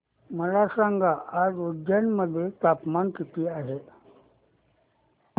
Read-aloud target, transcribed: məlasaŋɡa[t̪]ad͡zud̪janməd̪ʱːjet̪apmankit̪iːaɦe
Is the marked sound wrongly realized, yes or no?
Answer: yes